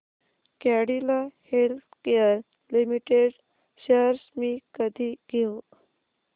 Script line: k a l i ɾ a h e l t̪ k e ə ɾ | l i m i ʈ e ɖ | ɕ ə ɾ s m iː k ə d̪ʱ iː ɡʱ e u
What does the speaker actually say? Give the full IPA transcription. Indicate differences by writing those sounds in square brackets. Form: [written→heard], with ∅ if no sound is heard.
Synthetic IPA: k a [l→ɽ] i [ɾ→l] a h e l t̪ k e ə ɾ | l i m i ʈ e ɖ | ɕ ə ɾ s m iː k ə d̪ʱ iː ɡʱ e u